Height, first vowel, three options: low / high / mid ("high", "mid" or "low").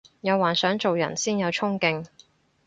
low